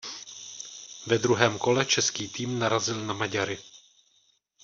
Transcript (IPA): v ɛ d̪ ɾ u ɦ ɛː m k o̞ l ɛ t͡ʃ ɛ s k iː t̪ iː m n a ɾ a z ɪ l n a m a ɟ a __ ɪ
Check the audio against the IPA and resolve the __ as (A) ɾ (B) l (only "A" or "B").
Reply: A